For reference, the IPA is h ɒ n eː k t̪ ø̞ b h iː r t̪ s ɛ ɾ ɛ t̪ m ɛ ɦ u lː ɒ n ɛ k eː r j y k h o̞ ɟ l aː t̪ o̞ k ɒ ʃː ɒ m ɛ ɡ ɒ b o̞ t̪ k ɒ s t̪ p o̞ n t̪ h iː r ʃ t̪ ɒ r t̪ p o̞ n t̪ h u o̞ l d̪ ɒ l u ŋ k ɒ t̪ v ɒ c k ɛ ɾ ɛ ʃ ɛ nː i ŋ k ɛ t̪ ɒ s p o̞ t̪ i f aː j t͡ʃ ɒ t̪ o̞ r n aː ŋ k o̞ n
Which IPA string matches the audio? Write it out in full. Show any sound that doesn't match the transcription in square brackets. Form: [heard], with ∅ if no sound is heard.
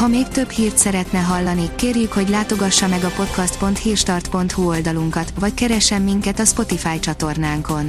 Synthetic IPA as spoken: h ɒ [m] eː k t̪ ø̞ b h iː r t̪ s ɛ ɾ ɛ t̪ [n] ɛ ɦ [ɒ] lː ɒ n [i] k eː r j y k h o̞ ɟ l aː t̪ o̞ [ɡ] ɒ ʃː ɒ m ɛ ɡ ɒ [p] o̞ t̪ k ɒ s t̪ p o̞ n t̪ h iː r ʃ t̪ ɒ r t̪ p o̞ n t̪ h u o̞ l d̪ ɒ l u ŋ k ɒ t̪ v ɒ c k ɛ ɾ ɛ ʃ ɛ [mː] i ŋ k ɛ t̪ ɒ s p o̞ t̪ i f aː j t͡ʃ ɒ t̪ o̞ r n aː ŋ k o̞ n